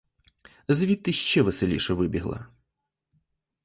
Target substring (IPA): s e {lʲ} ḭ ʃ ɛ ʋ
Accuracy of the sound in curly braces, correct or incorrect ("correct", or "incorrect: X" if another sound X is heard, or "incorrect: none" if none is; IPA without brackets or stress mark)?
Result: correct